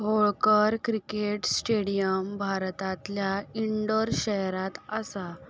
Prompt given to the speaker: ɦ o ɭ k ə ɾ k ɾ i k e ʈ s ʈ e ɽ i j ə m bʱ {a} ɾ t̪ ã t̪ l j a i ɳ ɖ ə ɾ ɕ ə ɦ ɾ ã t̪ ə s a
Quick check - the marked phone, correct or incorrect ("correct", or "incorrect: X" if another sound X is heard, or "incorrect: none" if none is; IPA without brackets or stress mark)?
correct